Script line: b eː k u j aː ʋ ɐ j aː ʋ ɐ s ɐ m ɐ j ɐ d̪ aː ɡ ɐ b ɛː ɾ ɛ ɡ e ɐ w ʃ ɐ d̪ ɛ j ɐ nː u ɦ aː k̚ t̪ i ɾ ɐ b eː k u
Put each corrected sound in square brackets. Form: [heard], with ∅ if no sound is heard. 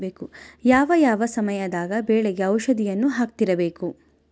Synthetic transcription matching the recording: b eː k u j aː ʋ ɐ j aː ʋ ɐ s ɐ m ɐ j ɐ d̪ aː ɡ ɐ b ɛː [ɭ] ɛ ɡ e ɐ w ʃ ɐ d̪ [i] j ɐ nː u ɦ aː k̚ t̪ i ɾ ɐ b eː k u